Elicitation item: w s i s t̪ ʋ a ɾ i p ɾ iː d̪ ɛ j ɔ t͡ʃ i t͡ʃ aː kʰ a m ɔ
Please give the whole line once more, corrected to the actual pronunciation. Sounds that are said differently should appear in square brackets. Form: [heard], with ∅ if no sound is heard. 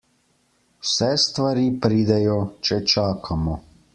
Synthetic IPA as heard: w s [ɛ] s t̪ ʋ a ɾ i p ɾ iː d̪ ɛ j ɔ t͡ʃ [ɛ] t͡ʃ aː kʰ a m ɔ